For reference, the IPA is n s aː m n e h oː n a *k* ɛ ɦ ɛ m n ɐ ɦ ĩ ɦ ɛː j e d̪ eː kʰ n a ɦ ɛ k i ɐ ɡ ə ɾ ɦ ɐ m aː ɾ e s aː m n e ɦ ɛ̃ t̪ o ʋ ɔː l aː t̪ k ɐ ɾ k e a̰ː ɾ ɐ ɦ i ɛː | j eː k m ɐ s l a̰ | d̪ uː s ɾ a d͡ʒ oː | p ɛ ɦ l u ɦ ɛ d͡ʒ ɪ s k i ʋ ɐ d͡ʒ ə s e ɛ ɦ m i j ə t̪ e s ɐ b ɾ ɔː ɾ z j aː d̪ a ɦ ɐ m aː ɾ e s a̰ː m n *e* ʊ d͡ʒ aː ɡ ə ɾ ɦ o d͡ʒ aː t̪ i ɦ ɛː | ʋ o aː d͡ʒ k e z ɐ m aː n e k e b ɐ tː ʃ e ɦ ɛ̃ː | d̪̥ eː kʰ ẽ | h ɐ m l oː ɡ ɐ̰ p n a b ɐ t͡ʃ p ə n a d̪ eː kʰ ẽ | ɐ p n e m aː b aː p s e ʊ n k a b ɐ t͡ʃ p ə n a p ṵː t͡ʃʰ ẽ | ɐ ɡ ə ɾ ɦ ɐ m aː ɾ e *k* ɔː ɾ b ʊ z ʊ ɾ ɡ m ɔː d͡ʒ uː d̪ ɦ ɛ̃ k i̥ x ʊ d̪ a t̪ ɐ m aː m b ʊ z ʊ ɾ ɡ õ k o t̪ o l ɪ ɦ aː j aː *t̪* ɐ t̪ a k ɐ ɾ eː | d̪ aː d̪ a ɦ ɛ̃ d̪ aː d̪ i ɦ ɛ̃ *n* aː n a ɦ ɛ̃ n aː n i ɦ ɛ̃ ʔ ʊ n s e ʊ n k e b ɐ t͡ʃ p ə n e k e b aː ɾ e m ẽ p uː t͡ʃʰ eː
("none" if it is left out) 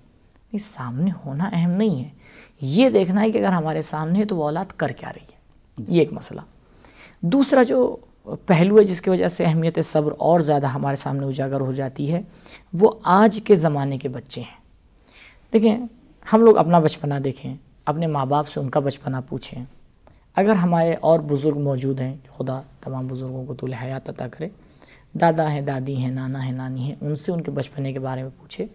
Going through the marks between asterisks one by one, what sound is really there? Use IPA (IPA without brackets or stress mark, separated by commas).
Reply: ʔ, e, ʔ, t̪, n